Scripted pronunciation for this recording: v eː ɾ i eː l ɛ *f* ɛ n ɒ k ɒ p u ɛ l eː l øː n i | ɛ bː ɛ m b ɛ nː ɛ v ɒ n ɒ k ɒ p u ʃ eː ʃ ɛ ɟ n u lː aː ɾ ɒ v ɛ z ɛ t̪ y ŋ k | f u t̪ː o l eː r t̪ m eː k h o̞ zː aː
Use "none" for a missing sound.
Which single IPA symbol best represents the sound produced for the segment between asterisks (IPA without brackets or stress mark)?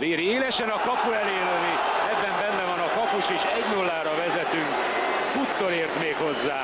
ʃ